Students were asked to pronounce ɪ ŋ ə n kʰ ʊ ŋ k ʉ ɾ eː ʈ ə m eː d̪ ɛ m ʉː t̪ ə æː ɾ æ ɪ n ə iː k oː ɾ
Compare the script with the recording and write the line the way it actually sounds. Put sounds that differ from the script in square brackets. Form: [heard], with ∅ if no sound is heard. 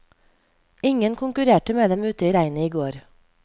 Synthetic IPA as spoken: ɪ ŋ ə n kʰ ʊ ŋ k ʉ ɾ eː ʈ ə m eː d̪ ɛ m ʉː t̪ ə [iː] ɾ æ ɪ n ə iː [ɡ] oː ɾ